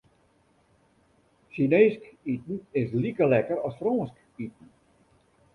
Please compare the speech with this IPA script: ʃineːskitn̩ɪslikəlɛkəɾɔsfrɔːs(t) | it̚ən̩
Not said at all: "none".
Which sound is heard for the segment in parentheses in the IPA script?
k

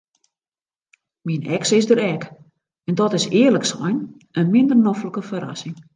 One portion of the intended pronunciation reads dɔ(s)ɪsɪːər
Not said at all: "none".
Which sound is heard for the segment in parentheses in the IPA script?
t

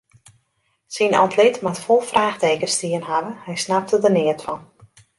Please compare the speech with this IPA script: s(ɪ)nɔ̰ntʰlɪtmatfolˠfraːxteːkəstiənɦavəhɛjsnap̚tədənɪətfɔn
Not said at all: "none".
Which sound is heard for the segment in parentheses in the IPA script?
i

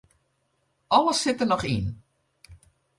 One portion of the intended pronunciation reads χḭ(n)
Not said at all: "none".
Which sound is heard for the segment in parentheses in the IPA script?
n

